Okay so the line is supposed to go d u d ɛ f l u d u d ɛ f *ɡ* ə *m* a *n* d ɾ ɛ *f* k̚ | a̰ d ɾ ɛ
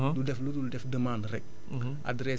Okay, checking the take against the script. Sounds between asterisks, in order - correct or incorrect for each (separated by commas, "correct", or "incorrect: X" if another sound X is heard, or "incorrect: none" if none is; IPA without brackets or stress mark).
incorrect: d, correct, correct, incorrect: none